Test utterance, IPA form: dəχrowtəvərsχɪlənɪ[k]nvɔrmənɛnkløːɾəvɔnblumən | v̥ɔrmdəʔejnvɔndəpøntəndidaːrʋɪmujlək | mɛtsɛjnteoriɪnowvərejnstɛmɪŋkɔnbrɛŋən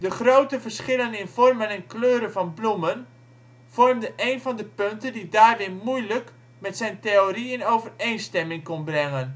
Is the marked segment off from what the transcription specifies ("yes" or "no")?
yes